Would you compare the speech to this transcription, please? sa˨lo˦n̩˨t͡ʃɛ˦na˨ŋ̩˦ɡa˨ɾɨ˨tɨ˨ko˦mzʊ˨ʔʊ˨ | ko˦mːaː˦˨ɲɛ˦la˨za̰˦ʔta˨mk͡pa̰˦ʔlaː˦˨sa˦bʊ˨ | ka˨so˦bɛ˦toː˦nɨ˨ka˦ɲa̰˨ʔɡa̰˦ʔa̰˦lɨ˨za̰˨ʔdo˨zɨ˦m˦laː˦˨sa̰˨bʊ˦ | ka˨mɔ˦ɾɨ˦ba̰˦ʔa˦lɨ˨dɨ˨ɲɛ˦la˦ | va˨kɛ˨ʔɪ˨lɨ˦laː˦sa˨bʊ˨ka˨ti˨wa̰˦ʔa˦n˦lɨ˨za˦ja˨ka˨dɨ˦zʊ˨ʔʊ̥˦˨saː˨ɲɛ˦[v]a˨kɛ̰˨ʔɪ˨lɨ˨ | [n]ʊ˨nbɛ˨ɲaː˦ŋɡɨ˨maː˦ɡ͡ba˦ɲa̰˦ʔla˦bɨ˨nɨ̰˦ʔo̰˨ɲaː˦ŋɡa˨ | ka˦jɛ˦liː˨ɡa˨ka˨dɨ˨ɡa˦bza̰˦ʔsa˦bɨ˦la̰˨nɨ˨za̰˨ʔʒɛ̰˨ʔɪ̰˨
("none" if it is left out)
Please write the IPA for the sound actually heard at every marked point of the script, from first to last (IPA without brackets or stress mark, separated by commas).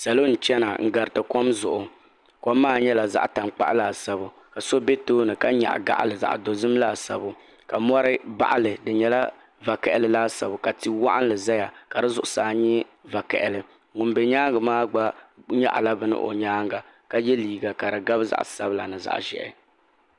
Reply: v, ŋ